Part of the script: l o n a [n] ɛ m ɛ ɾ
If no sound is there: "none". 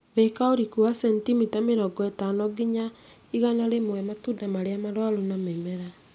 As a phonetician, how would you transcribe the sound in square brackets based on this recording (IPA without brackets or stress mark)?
m